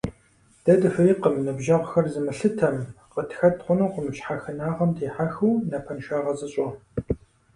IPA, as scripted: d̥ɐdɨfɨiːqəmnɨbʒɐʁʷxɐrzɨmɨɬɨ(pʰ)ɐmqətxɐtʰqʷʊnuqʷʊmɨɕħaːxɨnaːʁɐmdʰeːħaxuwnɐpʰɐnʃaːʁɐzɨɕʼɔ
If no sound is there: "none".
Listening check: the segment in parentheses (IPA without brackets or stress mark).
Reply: tʰ